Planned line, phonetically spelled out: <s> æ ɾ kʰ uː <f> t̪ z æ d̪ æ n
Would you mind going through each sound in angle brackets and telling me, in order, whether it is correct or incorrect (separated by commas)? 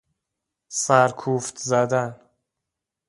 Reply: correct, correct